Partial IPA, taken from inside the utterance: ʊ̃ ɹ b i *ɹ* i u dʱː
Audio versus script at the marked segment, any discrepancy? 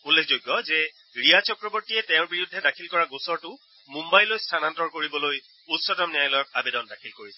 no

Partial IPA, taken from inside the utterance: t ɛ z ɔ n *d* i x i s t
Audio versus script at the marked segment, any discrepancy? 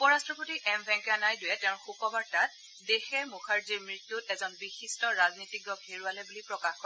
yes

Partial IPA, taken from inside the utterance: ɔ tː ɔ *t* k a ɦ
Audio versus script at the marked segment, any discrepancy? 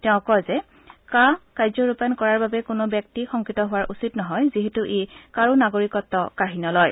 yes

